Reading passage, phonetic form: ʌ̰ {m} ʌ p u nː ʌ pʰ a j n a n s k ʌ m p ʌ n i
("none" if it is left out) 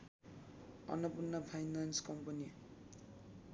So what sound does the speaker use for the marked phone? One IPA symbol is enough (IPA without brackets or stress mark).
n